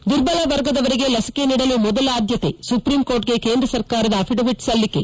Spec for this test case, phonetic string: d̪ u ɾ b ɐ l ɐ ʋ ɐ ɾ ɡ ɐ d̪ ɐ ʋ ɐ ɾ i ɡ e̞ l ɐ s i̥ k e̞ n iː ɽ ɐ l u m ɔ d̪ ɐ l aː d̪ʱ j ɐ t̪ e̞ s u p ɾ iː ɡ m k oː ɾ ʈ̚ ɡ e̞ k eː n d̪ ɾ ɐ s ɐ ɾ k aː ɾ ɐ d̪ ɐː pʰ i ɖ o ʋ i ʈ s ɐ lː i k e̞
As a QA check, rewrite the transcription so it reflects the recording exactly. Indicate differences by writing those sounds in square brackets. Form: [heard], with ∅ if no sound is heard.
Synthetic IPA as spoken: d̪ u ɾ b ɐ l ɐ ʋ ɐ ɾ ɡ ɐ d̪ ɐ ʋ ɐ ɾ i ɡ e̞ l ɐ s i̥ k e̞ n iː ɽ ɐ l u m ɔ d̪ ɐ l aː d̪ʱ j ɐ t̪ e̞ s u p ɾ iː [∅] m k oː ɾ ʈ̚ ɡ e̞ k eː n d̪ ɾ ɐ s ɐ ɾ k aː ɾ ɐ d̪ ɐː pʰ i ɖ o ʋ i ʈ s ɐ lː i k e̞